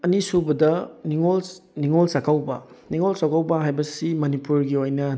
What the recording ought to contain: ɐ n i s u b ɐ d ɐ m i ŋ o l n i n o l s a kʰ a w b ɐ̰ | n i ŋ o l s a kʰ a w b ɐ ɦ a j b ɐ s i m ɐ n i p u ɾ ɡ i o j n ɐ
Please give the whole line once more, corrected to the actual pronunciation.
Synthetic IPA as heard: ɐ n i s u b ɐ d ɐ n i ŋ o l n i ŋ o l s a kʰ a w b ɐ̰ | n i ŋ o l s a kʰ a w b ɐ ɦ a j b ɐ s i m ɐ n i p u ɾ ɡ i o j n ɐ